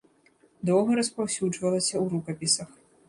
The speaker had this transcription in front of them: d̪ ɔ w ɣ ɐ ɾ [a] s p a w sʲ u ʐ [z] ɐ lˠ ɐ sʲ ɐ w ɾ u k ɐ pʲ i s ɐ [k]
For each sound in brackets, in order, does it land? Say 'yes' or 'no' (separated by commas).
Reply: no, no, no